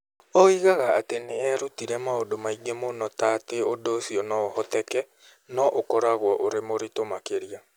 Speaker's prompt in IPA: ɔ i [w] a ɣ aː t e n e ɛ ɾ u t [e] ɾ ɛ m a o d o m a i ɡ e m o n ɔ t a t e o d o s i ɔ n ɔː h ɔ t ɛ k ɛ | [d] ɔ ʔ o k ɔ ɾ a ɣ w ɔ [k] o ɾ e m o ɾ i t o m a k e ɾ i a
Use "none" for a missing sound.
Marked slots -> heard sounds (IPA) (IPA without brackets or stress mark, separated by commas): ɣ, i, n, ʔ